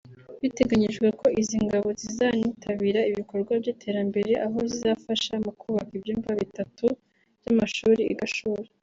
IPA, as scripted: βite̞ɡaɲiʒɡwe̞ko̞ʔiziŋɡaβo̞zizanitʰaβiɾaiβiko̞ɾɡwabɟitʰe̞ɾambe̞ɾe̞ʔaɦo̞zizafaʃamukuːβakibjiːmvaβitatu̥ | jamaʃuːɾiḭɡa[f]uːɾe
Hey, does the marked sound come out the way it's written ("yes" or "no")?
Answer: no